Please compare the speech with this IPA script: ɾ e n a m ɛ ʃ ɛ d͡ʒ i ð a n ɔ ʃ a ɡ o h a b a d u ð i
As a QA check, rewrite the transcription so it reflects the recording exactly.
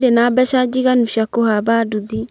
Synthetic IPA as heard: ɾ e n a b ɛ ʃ a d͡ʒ i ɣ a n u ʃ a k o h a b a d u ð i